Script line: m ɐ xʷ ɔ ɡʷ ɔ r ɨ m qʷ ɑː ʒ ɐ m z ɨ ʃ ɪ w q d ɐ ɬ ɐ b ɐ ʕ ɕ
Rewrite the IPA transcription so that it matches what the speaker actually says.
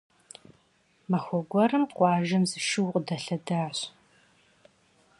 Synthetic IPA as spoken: m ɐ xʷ ɔ ɡʷ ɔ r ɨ m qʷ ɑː ʒ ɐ m z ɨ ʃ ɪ w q d ɐ ɬ ɐ d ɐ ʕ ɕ